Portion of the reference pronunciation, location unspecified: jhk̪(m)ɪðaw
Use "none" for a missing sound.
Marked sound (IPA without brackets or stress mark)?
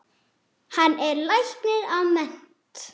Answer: n